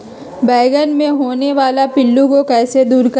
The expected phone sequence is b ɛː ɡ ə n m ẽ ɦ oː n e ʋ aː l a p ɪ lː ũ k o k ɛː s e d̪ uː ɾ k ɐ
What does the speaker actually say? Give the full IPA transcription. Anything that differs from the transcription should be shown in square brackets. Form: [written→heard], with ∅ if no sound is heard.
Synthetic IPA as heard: b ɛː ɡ ə n m ẽ ɦ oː n e ʋ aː l a p ɪ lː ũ k o k ɛː s e d̪ uː ɾ k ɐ

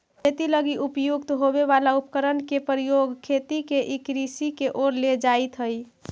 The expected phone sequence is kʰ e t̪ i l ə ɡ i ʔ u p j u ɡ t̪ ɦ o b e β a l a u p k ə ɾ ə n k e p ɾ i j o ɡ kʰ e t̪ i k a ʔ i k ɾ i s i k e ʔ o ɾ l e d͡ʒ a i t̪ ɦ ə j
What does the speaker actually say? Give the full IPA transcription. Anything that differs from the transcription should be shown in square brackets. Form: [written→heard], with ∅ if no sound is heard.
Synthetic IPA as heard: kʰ e t̪ i l ə ɡ i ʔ u p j u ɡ t̪ ɦ o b e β a l a u p k ə ɾ ə n k e p ɾ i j o ɡ kʰ e t̪ i k [a→e] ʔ i k ɾ i s i k e ʔ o ɾ l e d͡ʒ a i t̪ ɦ ə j

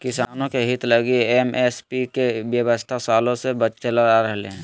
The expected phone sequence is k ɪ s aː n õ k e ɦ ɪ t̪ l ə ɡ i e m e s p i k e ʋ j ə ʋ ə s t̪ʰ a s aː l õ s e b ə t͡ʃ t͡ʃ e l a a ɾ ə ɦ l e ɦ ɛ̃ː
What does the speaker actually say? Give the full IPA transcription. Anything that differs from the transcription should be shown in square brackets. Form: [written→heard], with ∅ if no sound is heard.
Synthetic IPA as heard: k ɪ s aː n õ k e ɦ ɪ t̪ l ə ɡ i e m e s p i k e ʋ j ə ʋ ə s t̪ʰ a s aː l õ s e b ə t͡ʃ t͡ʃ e l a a ɾ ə ɦ l e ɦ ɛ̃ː

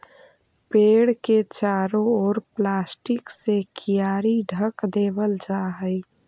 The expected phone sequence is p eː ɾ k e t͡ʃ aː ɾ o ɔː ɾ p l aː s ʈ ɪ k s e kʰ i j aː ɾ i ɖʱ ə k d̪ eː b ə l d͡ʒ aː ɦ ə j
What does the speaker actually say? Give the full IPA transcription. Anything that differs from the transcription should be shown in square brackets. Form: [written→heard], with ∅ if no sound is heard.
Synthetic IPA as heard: p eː [ɾ→ɽ] k e t͡ʃ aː ɾ o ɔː ɾ p l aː s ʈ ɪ k s e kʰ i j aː ɾ i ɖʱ ə k d̪ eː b ə l d͡ʒ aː ɦ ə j

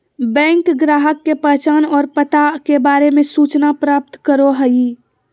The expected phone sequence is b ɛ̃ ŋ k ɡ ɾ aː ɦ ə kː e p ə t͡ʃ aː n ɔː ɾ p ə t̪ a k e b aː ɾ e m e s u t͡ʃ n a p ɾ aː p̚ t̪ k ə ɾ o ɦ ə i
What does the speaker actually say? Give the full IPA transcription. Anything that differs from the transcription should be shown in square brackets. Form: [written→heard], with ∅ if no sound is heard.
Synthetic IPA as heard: b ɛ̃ ŋ k ɡ ɾ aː ɦ ə kː e p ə t͡ʃ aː n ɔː ɾ p ə t̪ a k e b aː ɾ e m e s u t͡ʃ n a p ɾ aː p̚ t̪ k ə ɾ o ɦ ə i

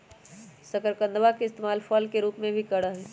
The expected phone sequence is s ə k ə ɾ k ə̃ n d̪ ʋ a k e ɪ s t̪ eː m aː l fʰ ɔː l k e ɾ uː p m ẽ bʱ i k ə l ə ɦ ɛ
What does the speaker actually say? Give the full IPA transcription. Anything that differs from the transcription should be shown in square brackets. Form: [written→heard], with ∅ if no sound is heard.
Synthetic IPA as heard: s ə k ə ɾ k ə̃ n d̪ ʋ a k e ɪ s t̪ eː m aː l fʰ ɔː l k e ɾ uː p m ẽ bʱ i k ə [l→ɽ] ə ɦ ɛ

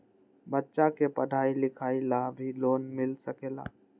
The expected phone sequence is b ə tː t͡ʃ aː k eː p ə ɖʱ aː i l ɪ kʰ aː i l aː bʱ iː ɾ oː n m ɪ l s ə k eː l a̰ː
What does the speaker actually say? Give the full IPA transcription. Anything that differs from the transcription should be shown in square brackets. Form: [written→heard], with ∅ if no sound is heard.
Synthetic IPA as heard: b ə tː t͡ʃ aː k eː p ə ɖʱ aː i l ɪ kʰ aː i l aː bʱ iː [ɾ→l] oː n m ɪ l s ə k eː l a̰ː

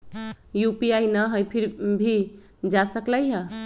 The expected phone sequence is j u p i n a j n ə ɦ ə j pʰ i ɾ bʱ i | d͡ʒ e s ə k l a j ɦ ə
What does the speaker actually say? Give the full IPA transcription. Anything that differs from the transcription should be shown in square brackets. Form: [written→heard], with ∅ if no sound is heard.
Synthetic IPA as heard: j u p i [n→∅] a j n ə ɦ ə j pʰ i ɾ bʱ i | d͡ʒ [e→a] s ə k l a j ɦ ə

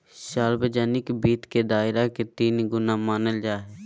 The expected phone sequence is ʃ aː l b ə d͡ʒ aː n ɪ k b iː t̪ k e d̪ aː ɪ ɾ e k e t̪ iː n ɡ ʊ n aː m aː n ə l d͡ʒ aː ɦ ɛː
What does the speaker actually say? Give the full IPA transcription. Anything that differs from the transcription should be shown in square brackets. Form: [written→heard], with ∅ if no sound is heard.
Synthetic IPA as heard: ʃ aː l b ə d͡ʒ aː n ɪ k b iː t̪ k e d̪ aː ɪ ɾ [e→a] k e t̪ iː n ɡ ʊ n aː m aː n ə l d͡ʒ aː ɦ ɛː

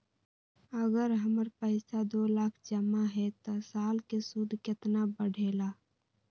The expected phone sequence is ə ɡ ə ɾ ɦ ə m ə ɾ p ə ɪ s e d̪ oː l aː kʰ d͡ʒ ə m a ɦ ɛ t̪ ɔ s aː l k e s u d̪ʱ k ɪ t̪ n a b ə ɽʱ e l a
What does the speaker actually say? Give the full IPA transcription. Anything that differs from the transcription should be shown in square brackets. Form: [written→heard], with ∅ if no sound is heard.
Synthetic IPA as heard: ə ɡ ə ɾ ɦ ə m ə ɾ p ə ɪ s [e→a] d̪ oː l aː kʰ d͡ʒ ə m a ɦ ɛ t̪ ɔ s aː l k e s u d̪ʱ k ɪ t̪ n a b ə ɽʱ e l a

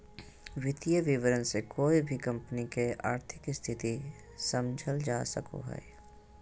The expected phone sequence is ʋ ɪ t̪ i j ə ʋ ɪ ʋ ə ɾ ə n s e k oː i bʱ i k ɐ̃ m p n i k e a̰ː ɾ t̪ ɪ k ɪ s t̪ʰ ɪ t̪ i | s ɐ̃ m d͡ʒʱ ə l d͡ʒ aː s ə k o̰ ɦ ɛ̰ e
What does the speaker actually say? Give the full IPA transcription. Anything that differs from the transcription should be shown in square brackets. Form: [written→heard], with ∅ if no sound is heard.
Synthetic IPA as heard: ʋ ɪ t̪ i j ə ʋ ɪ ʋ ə ɾ ə n s e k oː i bʱ i k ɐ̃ m p n i k e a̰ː ɾ [t̪→t̪ʰ] ɪ k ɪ s t̪ʰ ɪ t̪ i | s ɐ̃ m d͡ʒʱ ə l d͡ʒ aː s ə k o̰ ɦ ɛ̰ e

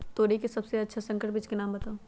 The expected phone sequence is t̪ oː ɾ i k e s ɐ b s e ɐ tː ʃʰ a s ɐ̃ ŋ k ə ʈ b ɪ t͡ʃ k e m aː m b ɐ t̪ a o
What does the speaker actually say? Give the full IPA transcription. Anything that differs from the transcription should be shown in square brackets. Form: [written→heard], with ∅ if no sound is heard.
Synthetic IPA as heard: t̪ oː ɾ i k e s ɐ b s e ɐ tː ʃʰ a s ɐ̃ ŋ k ə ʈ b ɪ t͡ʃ k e [m→n] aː m b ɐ t̪ a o

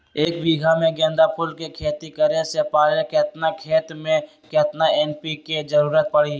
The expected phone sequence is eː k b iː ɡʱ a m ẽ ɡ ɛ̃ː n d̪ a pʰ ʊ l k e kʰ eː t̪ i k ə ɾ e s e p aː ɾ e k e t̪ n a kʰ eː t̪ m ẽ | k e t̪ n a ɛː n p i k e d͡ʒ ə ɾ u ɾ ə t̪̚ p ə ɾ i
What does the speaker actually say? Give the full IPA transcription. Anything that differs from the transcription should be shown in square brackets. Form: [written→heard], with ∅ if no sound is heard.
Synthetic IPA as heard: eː k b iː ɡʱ a m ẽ ɡ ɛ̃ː n d̪ a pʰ ʊ l k e kʰ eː t̪ i k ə ɾ e s e p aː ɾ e k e t̪ n a kʰ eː t̪ m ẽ | k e t̪ n a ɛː n p i k e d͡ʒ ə ɾ [u→uː] ɾ ə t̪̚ p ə [ɾ→ɽ] i

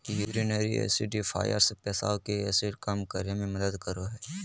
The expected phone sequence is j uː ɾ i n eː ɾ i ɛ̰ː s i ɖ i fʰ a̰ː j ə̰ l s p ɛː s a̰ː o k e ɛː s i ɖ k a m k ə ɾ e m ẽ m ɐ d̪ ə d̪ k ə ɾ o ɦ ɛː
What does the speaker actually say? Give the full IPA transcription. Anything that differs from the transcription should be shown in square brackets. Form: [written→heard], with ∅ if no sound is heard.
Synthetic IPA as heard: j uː ɾ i n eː ɾ i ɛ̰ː s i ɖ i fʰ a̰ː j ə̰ [l→ɾ] s p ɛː s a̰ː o k e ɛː s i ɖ k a m k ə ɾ e m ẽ m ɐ d̪ ə d̪ k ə ɾ o ɦ ɛː

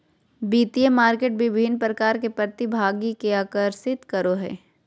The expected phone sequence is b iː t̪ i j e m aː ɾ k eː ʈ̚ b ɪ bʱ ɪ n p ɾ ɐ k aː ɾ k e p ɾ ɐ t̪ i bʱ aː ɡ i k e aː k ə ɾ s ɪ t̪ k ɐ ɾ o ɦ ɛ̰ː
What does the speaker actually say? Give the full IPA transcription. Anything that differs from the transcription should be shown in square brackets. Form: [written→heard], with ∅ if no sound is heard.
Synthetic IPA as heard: b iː t̪ i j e m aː ɾ k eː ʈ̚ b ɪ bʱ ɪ n p ɾ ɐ k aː ɾ k e p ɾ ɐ t̪ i bʱ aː ɡ i k e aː k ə ɾ s ɪ t̪ k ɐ ɾ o ɦ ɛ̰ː

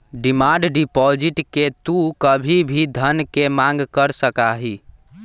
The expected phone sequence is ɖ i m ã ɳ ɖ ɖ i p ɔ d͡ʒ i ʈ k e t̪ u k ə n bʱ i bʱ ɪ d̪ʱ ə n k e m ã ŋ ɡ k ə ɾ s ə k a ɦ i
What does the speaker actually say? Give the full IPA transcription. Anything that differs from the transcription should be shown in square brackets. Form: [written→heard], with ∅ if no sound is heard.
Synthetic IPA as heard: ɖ i m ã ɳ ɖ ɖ i p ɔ d͡ʒ i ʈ k e t̪ u k ə [n→∅] bʱ i bʱ [ɪ→i] d̪ʱ ə n k e m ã ŋ ɡ k ə ɾ s ə k a ɦ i

